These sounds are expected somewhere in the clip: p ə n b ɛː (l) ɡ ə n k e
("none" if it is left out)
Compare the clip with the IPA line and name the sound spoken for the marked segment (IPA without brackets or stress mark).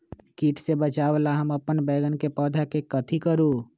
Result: none